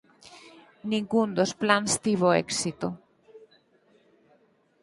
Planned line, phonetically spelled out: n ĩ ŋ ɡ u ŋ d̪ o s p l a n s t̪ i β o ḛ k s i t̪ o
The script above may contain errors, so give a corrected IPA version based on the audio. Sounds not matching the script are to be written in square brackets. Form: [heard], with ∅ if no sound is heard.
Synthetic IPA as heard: n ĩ ŋ ɡ u [n] d̪ o s p l a n s t̪ i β o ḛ k s i t̪ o